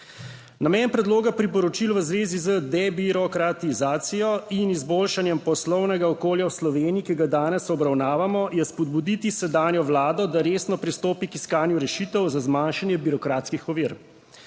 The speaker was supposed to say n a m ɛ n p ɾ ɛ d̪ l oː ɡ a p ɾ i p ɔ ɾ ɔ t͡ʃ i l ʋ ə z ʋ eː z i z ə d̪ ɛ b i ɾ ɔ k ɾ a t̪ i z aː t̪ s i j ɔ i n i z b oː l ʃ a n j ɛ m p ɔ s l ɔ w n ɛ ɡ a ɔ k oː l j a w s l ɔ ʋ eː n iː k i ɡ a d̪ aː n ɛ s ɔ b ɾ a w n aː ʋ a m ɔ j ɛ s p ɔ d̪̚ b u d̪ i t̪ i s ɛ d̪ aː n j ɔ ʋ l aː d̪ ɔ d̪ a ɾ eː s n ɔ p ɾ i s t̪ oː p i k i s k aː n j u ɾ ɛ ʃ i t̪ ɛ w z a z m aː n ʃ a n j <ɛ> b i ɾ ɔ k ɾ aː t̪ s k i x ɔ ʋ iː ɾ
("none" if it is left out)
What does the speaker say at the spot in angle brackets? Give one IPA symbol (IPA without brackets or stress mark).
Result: ɛ